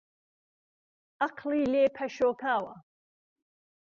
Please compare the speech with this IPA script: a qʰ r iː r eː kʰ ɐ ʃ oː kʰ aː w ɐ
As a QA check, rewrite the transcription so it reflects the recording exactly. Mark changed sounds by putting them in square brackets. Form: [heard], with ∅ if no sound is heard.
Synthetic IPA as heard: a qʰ [l] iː [l] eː [pʰ] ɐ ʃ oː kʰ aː w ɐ